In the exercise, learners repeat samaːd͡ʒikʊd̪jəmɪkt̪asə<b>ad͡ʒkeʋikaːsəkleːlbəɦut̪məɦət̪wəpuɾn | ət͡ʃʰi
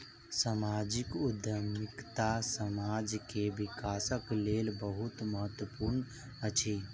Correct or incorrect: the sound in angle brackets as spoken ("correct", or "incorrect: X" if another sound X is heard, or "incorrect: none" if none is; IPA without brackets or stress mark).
incorrect: m